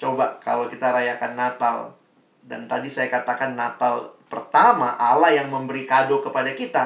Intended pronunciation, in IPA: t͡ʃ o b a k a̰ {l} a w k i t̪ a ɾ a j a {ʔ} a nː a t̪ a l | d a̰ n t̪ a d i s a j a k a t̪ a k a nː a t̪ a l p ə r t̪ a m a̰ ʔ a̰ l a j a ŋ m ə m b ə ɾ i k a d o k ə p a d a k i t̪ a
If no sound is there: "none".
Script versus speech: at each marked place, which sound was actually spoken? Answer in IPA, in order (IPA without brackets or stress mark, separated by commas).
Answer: l, k